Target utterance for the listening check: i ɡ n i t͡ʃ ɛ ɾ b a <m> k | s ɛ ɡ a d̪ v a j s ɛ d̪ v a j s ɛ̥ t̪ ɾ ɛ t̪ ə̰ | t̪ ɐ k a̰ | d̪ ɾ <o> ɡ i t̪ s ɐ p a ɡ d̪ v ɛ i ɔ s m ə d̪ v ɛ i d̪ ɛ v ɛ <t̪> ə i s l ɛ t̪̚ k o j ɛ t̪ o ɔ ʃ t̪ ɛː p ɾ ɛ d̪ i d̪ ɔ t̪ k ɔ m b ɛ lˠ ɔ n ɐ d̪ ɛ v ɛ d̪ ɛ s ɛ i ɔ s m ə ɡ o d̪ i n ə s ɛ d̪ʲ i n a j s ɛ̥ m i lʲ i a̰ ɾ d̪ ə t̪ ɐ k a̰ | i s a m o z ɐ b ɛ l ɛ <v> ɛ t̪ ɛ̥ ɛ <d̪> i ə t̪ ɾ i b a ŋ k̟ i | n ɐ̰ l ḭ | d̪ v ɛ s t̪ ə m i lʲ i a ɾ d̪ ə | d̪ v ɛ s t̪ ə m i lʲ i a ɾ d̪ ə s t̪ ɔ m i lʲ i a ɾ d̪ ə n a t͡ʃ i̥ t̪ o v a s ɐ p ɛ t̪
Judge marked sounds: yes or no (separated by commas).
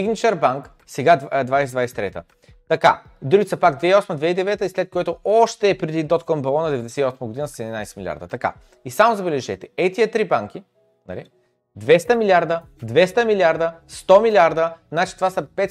no, no, yes, no, no